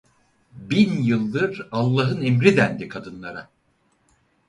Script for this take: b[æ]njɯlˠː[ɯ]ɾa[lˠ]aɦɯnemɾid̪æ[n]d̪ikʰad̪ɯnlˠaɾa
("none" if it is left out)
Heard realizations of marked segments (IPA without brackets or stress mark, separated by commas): i, ɯ, lˠː, n